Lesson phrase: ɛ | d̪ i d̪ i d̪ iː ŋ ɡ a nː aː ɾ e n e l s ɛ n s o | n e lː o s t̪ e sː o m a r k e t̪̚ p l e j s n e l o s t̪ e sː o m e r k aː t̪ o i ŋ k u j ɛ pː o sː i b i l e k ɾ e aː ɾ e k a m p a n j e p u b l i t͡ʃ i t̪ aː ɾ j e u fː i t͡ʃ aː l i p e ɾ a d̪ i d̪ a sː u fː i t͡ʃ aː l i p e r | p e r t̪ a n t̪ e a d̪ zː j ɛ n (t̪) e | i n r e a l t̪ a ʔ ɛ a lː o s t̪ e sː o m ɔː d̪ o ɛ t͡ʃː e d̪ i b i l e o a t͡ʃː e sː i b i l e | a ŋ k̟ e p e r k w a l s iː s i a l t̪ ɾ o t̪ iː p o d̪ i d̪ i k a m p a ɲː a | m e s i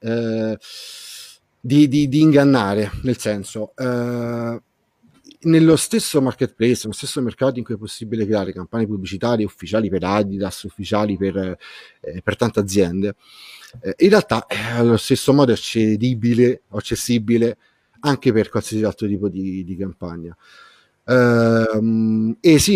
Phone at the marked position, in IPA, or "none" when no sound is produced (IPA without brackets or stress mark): d̪